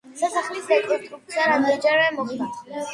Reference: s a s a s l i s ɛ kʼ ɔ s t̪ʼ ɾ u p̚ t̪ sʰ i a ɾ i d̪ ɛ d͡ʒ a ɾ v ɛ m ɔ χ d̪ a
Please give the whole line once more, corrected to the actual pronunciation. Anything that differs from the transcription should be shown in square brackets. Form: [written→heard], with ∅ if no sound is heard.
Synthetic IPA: s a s a [s→χ] l i s ɛ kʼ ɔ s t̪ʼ ɾ u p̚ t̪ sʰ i a ɾ [i→a] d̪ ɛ d͡ʒ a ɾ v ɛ m ɔ χ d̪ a